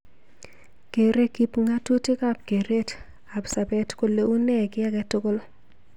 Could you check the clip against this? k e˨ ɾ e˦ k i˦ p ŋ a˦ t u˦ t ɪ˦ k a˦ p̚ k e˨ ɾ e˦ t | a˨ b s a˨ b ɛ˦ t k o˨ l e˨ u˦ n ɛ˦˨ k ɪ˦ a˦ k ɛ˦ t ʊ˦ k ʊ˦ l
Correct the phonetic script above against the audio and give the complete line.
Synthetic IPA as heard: k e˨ ɾ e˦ k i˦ p ŋ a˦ t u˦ t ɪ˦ k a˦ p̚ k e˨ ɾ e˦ t | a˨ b s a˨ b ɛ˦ t k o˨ l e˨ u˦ n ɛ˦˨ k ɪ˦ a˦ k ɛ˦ t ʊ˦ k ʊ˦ l